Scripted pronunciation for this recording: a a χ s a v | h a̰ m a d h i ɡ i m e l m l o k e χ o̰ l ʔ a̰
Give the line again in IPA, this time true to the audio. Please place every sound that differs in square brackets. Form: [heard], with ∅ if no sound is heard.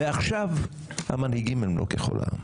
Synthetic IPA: [e] a χ [ʃ] a v | h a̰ m a [n] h i ɡ i m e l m l o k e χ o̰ l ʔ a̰

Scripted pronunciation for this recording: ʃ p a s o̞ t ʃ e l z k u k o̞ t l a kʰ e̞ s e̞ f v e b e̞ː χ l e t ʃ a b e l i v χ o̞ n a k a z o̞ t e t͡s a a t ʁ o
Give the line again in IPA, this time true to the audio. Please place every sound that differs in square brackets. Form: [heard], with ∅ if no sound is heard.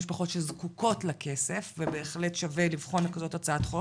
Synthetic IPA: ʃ p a [χ] o̞ t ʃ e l z k u k o̞ t l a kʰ e̞ s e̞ f v e b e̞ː χ l e t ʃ a [v] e l i v χ o̞ n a k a z o̞ t [a] t͡s a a t [χ] o

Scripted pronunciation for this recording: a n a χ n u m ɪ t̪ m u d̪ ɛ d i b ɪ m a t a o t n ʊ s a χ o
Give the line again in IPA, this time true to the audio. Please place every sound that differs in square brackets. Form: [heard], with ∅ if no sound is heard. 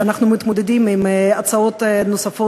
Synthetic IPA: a n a χ n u m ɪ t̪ m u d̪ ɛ d i [m] ɪ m a [t͡s] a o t n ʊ s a [f] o

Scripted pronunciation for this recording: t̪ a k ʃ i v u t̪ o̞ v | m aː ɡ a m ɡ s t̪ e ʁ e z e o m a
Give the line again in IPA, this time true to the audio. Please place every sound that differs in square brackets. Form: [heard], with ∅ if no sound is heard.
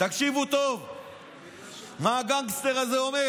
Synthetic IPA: t̪ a k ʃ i v u t̪ o̞ v | m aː ɡ a [ŋ] ɡ s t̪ e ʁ [a] z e o m [e]

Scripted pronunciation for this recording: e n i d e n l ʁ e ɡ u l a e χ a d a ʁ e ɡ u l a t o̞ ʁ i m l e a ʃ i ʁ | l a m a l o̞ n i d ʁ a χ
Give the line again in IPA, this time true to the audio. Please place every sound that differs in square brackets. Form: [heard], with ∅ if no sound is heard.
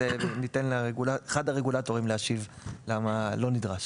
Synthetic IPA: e n i [t] e n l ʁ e ɡ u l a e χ a d a ʁ e ɡ u l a t o̞ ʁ i m l e a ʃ i [v] | l a m a l o̞ n i d ʁ a [ʃ]

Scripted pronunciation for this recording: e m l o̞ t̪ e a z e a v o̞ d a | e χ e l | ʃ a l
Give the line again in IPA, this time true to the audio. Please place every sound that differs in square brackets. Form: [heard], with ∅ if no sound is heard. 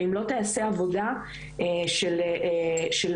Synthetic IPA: [i] m l o̞ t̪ e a [s] e a v o̞ d a | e [ʃ] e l | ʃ [e] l

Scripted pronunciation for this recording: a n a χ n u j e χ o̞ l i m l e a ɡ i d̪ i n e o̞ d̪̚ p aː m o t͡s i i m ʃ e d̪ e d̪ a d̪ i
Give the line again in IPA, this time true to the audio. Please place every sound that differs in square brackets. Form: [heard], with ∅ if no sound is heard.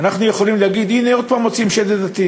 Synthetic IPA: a n a χ n u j e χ o̞ l i m l e a ɡ i d̪ i n e o̞ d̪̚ p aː m o t͡s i i m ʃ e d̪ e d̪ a [t̪] i

